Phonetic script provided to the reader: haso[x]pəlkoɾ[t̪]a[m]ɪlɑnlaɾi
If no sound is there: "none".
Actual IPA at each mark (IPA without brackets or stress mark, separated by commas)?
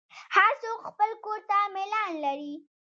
x, t̪, m